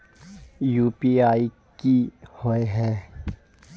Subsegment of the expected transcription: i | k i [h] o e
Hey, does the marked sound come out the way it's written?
yes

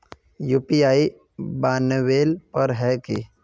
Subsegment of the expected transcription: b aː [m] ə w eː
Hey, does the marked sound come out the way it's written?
no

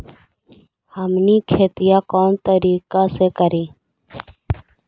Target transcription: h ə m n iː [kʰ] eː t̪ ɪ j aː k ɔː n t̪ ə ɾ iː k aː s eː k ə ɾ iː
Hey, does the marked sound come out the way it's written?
yes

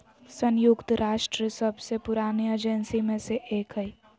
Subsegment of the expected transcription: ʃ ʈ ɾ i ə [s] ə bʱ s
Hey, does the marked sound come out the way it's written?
yes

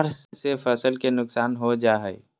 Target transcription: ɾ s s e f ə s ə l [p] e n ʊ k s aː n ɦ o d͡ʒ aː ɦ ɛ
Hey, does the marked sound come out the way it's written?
no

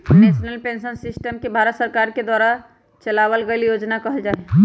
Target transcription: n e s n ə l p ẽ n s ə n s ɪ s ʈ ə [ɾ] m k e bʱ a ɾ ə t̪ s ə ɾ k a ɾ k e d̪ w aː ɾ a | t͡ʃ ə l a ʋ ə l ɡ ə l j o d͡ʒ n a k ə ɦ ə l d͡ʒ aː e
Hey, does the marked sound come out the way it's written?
no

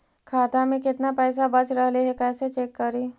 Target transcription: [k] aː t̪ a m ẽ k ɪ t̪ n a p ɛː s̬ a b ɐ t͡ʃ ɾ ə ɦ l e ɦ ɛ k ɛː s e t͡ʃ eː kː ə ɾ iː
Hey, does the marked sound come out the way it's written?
no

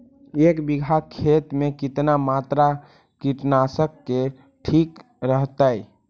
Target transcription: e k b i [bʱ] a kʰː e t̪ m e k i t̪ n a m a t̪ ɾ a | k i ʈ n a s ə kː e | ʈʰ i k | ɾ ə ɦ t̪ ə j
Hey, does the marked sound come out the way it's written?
no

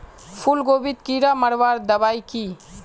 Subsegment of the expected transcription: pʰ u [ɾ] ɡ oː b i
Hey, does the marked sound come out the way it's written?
no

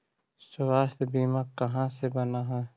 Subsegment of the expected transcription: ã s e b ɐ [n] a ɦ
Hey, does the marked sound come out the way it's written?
yes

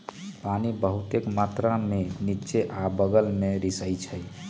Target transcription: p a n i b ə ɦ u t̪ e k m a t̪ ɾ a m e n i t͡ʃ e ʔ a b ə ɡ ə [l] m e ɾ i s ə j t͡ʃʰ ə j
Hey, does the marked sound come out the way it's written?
yes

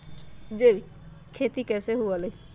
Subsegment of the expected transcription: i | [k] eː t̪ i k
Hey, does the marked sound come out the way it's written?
no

